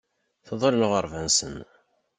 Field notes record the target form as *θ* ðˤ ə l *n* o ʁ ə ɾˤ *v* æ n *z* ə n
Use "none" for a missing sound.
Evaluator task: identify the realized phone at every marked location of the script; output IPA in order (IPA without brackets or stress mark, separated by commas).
θ, n, v, s